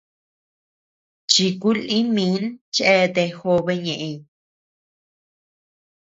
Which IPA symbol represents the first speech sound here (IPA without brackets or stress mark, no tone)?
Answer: t͡ʃ